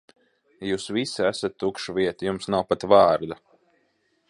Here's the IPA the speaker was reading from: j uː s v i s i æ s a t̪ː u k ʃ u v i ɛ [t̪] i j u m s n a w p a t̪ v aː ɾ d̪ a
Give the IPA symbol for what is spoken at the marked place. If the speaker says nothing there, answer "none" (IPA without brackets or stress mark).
t̪